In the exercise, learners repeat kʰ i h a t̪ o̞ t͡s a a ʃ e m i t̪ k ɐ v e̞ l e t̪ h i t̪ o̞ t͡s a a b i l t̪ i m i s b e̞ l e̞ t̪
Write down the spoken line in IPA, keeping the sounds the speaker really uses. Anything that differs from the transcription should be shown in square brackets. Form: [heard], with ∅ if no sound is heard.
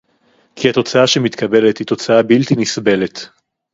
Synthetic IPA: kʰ i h a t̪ o̞ t͡s a a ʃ e m i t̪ k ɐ [b] e̞ l e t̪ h i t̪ o̞ t͡s a a b i l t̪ i [n] i s b e̞ l e̞ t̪